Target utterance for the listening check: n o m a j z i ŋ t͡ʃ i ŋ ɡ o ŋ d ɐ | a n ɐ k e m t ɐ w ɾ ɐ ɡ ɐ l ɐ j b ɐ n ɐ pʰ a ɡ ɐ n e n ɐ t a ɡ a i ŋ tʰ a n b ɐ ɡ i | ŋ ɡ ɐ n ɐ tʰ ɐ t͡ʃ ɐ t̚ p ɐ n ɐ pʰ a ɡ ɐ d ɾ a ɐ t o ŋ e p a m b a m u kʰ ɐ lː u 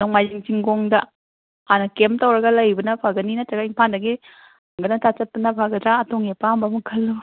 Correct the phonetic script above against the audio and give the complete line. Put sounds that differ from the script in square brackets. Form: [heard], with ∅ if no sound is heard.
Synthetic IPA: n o m a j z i ŋ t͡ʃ i ŋ ɡ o ŋ d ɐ | a n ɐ k e m t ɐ w ɾ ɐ ɡ ɐ l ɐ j b ɐ n ɐ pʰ a ɡ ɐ n [i] n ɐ t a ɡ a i ŋ [pʰ] a n [d] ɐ ɡ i | ŋ ɡ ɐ n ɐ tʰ [a] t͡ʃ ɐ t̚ p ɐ n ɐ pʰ a ɡ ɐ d ɾ a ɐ t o ŋ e p a m b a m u kʰ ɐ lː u